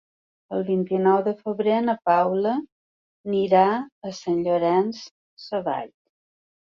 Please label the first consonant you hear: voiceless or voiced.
voiced